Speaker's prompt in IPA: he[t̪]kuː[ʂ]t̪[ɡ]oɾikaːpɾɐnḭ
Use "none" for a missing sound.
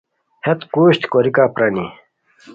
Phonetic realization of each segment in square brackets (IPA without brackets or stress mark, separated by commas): t̪, ɕ, k